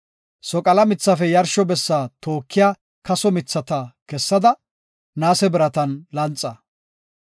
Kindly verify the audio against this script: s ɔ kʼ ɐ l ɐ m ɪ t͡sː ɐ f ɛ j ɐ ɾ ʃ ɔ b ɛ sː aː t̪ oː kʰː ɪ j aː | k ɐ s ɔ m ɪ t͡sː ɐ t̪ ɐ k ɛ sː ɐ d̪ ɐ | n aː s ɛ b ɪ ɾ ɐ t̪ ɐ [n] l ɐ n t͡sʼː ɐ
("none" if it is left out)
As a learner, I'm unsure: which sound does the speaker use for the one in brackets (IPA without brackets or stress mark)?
n